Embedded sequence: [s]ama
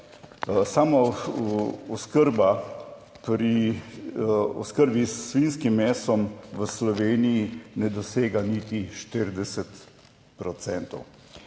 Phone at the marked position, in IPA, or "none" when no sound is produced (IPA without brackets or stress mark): s